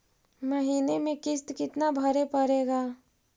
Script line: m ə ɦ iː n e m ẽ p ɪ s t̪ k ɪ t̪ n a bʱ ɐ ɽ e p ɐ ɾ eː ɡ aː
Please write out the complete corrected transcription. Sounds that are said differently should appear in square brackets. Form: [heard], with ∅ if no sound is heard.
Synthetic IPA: m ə ɦ iː n e m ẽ [k] ɪ s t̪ k ɪ t̪ n a bʱ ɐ [ɾ] e p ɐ ɾ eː ɡ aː